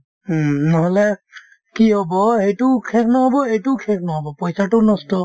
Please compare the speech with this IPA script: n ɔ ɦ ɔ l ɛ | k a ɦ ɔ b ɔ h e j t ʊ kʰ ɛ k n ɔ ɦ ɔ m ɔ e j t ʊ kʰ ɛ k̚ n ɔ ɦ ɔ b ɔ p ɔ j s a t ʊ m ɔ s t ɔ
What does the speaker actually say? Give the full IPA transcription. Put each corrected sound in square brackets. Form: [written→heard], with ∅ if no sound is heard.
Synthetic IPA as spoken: n ɔ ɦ ɔ l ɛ | k [a→i] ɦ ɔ b ɔ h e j t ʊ kʰ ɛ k n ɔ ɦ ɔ [m→b] ɔ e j t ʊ kʰ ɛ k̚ n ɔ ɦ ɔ b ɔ p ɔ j s a t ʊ [m→n] ɔ s t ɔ

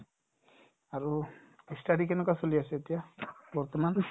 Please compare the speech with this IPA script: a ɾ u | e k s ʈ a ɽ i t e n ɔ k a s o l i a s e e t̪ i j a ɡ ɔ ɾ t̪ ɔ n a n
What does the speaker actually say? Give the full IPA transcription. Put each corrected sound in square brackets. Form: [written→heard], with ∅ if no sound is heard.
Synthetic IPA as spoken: a ɾ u | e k s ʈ a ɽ i [t→k] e n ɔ k a s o l i a s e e t̪ i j a [ɡ→b] ɔ ɾ t̪ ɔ [n→m] a n

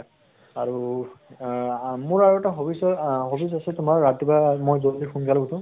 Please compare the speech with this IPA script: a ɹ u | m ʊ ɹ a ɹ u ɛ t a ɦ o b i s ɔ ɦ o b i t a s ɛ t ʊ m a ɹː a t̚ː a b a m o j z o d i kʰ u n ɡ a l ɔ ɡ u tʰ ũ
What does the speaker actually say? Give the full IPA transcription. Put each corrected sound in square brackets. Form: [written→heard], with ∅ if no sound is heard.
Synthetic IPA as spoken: a ɹ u | m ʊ ɹ a ɹ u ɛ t a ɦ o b i s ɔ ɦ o b i [t→s] a s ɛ t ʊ m a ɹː a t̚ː [a→i] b a m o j z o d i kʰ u n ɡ a l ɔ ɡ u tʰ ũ

